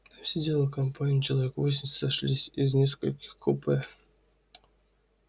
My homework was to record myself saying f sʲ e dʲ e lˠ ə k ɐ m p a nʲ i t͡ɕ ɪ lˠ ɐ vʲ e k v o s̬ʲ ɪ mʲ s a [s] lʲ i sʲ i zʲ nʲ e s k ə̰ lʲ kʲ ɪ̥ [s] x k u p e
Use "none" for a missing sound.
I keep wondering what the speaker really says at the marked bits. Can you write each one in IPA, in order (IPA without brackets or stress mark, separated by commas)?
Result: ʂ, none